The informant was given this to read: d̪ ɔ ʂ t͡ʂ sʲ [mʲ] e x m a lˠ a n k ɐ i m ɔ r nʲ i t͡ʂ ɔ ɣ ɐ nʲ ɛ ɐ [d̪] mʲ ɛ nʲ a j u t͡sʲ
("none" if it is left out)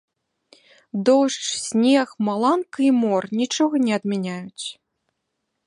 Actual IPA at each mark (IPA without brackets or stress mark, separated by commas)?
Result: nʲ, d̪